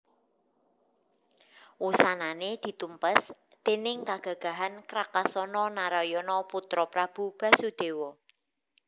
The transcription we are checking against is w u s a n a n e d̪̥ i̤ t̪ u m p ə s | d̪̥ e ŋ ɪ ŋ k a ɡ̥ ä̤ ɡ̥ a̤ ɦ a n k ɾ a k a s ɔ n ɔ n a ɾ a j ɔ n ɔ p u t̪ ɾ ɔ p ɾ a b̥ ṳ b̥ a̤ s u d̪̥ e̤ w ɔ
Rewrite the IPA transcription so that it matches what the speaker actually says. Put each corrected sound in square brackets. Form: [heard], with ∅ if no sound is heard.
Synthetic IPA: w u s a n a n e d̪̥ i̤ t̪ u m p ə s | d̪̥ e [n] ɪ ŋ k a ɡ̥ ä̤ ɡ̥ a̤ ɦ a n k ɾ a k a s ɔ n ɔ n a ɾ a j ɔ n ɔ p u t̪ ɾ ɔ p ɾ a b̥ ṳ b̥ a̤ s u d̪̥ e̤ w ɔ